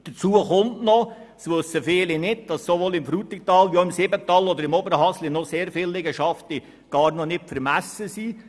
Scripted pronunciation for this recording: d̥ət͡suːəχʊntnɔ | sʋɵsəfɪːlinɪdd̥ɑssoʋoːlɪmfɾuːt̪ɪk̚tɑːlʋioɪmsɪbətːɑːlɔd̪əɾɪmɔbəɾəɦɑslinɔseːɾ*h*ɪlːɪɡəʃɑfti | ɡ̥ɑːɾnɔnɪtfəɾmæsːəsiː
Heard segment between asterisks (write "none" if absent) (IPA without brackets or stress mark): f